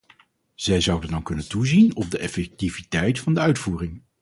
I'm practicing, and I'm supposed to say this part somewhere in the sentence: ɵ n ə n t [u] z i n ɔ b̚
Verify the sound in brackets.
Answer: correct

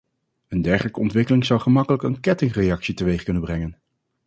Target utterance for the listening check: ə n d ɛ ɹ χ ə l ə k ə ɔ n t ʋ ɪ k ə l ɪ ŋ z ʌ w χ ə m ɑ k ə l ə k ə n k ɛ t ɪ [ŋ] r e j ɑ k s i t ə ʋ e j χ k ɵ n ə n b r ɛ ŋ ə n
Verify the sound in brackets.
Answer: correct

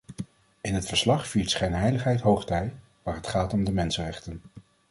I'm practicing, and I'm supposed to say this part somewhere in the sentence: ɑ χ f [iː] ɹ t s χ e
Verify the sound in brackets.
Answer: correct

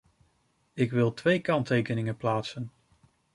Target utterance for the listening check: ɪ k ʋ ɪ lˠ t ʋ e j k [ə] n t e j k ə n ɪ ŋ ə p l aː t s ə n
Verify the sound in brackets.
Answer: incorrect: ɑ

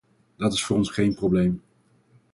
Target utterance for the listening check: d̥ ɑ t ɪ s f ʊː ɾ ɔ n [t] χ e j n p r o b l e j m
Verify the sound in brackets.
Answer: incorrect: s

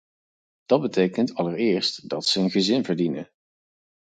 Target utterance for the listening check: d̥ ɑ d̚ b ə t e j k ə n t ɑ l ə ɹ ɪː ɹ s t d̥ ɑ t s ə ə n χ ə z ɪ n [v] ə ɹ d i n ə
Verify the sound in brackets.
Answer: correct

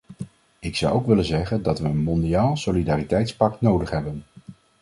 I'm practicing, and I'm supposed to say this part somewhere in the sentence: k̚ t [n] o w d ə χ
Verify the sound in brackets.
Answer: correct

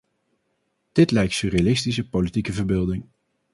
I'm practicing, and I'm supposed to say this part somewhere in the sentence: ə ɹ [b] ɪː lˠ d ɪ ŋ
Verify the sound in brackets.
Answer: correct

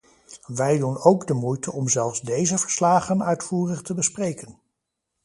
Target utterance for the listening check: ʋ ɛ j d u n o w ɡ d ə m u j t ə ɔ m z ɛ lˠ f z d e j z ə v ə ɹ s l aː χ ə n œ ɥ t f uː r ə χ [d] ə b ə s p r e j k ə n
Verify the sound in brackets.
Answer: incorrect: t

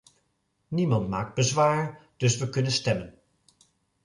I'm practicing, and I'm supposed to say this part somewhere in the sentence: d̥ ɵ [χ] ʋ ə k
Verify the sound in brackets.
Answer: incorrect: s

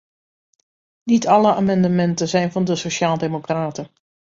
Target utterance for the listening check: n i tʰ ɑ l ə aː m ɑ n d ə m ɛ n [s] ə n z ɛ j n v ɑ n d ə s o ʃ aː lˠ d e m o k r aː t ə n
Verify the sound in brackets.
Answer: incorrect: t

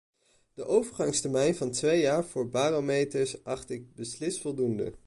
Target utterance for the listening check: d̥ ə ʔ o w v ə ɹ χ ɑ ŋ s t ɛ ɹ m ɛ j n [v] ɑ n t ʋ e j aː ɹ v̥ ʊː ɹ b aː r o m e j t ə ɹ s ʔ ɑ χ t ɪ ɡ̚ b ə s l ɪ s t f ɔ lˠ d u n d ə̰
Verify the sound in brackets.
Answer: correct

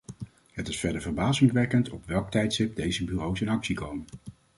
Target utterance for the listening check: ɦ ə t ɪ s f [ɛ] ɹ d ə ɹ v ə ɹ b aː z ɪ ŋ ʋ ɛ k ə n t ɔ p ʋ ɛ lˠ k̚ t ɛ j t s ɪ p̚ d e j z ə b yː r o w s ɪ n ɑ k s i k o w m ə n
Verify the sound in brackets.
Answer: correct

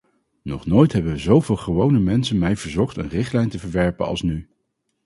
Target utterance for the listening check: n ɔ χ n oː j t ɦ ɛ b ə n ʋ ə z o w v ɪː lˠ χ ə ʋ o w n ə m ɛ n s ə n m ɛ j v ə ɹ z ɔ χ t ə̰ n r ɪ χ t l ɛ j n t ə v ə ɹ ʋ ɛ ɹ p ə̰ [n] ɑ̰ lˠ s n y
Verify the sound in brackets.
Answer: correct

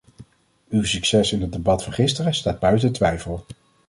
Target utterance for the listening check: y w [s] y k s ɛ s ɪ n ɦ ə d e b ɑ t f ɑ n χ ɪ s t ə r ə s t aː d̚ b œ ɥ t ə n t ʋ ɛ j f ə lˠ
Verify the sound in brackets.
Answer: correct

